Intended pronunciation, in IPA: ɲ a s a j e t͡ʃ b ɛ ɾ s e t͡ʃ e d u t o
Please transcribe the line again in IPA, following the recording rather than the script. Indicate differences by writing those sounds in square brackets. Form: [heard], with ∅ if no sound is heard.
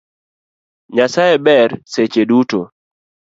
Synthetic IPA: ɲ a s a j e [∅] b ɛ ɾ s e t͡ʃ e d u t o